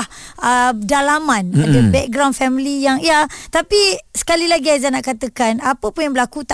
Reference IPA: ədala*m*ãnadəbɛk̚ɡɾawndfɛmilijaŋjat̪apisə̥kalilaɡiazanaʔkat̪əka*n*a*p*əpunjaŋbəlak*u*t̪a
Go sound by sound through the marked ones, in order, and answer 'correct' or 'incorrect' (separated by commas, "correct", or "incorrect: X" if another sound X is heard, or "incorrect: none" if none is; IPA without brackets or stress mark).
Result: correct, correct, correct, correct